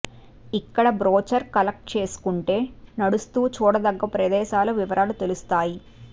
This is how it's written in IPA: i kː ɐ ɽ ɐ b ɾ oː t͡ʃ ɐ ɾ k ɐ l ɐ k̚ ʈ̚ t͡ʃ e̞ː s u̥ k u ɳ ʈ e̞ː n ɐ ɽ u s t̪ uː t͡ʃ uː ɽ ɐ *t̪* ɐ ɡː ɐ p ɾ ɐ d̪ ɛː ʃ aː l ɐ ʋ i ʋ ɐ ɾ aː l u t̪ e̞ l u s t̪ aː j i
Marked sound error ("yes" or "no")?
yes